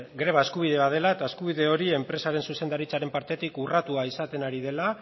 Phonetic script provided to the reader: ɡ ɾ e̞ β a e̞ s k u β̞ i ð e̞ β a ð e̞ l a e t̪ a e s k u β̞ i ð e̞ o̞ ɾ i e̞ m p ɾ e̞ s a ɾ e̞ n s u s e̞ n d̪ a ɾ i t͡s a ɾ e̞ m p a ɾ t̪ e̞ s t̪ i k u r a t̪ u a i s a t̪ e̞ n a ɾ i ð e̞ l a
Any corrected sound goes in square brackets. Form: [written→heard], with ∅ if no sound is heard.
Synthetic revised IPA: ɡ ɾ e̞ β a e̞ s k u β̞ i ð e̞ β a ð e̞ l a e t̪ a e s k u β̞ i ð e̞ o̞ ɾ i e̞ m p ɾ e̞ s a ɾ e̞ n s u s e̞ n d̪ a ɾ i t͡s a ɾ e̞ m p a ɾ t̪ e̞ [s→∅] t̪ i k u r a t̪ u a i s a t̪ e̞ n a ɾ i ð e̞ l a